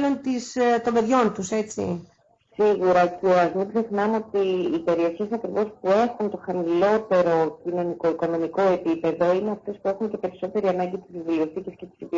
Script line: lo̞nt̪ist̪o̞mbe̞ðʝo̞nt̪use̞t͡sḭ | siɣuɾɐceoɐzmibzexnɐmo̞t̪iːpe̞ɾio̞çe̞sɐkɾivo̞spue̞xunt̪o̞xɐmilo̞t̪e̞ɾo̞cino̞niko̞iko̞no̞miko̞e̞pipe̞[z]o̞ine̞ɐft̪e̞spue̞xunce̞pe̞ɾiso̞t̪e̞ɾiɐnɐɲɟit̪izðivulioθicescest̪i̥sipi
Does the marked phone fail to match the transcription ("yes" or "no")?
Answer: yes